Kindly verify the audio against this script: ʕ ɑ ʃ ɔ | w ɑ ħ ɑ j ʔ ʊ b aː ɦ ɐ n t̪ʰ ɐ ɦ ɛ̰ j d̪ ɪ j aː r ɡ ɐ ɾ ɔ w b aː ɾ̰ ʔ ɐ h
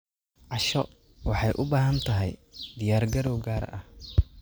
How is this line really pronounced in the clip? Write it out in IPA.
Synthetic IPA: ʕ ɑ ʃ ɔ | w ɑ ħ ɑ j ʔ ʊ b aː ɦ ɐ n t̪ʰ ɐ ɦ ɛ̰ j d̪ ɪ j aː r ɡ ɐ ɾ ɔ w ɡ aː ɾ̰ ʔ ɐ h